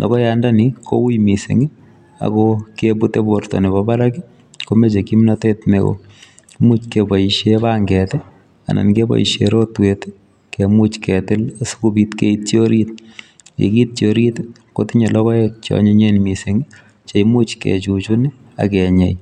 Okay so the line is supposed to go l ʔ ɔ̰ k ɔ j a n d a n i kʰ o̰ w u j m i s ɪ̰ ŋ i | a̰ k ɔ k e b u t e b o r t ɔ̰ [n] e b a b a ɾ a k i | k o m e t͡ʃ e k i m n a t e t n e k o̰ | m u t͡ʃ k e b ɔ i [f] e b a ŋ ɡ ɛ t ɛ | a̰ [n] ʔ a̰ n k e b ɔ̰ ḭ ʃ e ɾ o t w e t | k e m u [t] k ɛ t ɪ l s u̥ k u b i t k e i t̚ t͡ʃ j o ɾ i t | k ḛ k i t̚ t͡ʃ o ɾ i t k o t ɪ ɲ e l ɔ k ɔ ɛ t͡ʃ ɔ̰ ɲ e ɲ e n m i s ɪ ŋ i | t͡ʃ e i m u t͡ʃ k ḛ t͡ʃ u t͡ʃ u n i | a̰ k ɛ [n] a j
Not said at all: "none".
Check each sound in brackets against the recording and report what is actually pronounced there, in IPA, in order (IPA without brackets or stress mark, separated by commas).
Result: n, ʃ, n, t͡ʃ, ɲ